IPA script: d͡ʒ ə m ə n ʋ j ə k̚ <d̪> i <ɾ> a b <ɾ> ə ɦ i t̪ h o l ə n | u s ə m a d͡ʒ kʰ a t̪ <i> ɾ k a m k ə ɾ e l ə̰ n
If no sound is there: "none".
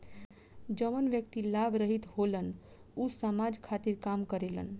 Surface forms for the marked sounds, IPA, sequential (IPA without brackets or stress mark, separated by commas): t̪, l, ɾ, i